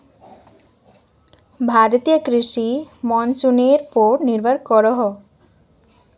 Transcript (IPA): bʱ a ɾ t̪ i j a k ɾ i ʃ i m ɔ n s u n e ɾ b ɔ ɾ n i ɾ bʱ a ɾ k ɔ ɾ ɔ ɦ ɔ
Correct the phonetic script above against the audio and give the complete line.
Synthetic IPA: bʱ a ɾ t̪ i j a k ɾ i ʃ i m ɔ n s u n e ɾ p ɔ ɾ n i ɾ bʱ a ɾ k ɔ ɾ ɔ ɦ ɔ